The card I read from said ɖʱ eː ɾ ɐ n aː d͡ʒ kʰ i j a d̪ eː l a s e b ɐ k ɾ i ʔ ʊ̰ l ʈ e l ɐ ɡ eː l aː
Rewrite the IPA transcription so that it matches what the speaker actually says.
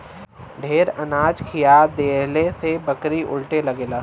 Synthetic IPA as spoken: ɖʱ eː ɾ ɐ n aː d͡ʒ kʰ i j a d̪ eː l e s e b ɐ k ɾ i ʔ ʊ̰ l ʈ e l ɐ ɡ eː l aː